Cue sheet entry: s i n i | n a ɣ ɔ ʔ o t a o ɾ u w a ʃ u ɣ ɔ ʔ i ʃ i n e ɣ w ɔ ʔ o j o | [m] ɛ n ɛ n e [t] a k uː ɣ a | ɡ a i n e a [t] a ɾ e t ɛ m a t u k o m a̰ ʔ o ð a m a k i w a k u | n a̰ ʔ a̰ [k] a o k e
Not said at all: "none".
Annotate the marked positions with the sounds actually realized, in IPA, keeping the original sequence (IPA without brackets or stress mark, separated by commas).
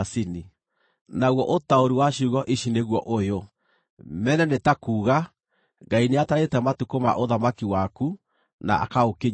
m, t, t, k